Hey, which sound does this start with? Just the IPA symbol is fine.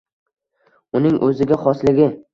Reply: ʊ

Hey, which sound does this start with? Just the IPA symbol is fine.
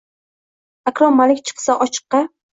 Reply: a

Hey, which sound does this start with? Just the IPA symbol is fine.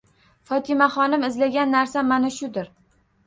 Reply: f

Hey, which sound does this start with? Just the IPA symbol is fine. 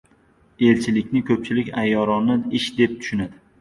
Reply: e̞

